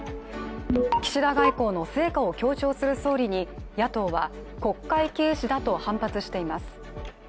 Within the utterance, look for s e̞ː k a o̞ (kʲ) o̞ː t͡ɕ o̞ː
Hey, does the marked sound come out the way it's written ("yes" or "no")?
yes